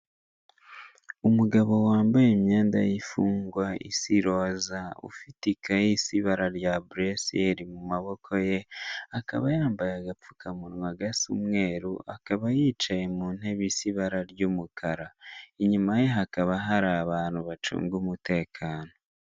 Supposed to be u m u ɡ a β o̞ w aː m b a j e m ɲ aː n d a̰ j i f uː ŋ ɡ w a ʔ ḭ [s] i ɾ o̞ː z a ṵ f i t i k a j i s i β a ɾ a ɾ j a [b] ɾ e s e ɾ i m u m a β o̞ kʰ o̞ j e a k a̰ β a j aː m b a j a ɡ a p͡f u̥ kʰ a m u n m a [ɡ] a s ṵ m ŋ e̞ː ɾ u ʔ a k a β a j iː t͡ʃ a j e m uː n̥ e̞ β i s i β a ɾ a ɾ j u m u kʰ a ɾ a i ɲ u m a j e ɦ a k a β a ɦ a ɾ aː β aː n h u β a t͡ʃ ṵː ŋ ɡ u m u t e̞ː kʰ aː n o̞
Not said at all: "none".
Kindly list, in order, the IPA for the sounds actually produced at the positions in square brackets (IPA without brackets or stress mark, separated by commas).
s, b, ɡ